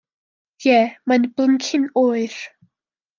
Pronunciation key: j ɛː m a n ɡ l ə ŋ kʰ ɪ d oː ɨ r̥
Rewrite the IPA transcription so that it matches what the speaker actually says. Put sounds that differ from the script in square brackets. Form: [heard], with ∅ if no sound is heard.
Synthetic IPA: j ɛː m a n [b] l ə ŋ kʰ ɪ [n] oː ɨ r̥